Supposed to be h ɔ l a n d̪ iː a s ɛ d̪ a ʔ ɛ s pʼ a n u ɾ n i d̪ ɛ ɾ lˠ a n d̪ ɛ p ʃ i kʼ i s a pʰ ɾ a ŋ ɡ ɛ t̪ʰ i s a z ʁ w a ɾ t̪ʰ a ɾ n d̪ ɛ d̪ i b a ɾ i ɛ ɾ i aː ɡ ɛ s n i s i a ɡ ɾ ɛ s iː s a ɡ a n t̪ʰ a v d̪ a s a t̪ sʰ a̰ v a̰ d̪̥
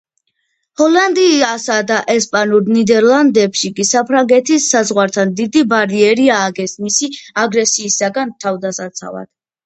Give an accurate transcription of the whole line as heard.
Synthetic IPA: h ɔ l a n d̪ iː a s a d̪ a ʔ ɛ s pʼ a n u ɾ n i d̪ ɛ ɾ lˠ a n d̪ ɛ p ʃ i kʼ i s a pʰ ɾ a ŋ ɡ ɛ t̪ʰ i s a z ʁ w a ɾ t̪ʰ a n d̪ i d̪ i b a ɾ i ɛ ɾ i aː ɡ ɛ s m i s i a ɡ ɾ ɛ s iː s a ɡ a n t̪ʰ a v d̪ a s a t̪ sʰ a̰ v a̰ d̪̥